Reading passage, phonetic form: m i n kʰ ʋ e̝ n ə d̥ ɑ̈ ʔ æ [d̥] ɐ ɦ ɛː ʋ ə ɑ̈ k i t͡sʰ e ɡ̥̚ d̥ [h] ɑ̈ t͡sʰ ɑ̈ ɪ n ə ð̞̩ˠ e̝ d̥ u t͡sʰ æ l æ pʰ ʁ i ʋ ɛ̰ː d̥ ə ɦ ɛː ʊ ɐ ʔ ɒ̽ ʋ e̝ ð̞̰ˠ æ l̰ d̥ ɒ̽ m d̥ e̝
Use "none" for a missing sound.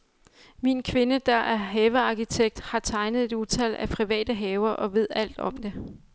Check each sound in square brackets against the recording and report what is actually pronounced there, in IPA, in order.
none, h

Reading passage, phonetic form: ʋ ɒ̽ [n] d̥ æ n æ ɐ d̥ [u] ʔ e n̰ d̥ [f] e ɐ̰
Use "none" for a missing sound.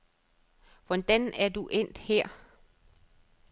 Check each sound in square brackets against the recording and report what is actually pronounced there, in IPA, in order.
n, u, h

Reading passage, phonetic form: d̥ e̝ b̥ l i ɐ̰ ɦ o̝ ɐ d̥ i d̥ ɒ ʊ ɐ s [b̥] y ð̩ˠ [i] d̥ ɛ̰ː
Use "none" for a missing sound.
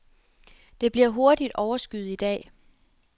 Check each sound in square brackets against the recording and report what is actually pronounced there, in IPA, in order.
ɡ̥, i

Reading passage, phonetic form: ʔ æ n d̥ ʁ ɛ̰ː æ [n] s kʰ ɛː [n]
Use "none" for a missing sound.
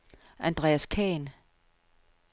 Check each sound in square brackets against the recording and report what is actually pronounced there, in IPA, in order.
none, n

